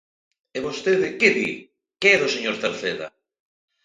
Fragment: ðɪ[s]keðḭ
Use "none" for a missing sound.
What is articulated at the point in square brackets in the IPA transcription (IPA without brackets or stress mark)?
none